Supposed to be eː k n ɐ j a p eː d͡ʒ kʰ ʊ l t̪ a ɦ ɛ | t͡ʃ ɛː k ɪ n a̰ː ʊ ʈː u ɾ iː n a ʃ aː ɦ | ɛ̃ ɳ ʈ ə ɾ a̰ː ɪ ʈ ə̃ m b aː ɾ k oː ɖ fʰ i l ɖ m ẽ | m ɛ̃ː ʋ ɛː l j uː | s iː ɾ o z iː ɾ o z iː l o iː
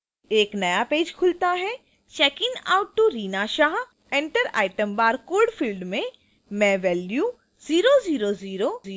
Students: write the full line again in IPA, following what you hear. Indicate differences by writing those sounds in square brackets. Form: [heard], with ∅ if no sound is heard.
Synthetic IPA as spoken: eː k n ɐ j a p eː d͡ʒ kʰ ʊ l t̪ a ɦ ɛ | t͡ʃ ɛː k ɪ n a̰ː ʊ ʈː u ɾ iː n a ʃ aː ɦ | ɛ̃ ɳ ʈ ə ɾ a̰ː ɪ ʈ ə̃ m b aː ɾ k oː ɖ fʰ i l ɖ m ẽ | m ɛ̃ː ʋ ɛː l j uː | [z] iː ɾ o z iː ɾ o z iː [ɾ] o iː